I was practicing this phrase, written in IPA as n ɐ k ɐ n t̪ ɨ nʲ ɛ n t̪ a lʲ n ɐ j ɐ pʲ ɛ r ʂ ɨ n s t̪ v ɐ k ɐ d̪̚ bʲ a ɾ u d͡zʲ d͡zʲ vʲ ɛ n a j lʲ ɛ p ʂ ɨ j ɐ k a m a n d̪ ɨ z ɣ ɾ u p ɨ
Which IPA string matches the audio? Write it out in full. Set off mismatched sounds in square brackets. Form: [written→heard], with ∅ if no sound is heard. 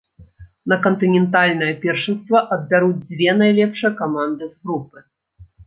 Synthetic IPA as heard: n ɐ k ɐ n t̪ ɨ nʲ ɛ n t̪ a lʲ n ɐ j ɐ pʲ ɛ r ʂ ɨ n s t̪ v ɐ [k→ʔ] ɐ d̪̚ bʲ a ɾ u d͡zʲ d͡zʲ vʲ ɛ n a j lʲ ɛ p ʂ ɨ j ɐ k a m a n d̪ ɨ z ɣ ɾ u p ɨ